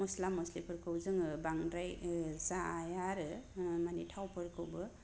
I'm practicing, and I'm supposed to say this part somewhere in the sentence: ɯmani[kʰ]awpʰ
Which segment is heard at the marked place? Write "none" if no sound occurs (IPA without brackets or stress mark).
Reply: tʰ